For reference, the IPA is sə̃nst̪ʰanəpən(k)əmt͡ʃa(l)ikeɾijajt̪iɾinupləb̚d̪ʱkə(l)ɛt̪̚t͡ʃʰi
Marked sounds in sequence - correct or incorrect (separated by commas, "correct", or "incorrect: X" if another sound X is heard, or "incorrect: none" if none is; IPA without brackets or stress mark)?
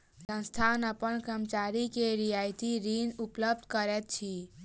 correct, incorrect: ɾ, incorrect: ɾ